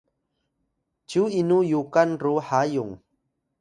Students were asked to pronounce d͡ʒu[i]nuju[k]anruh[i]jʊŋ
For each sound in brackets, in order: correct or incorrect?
correct, correct, incorrect: a

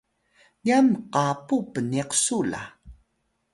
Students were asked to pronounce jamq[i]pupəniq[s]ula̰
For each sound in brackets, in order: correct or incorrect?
incorrect: a, correct

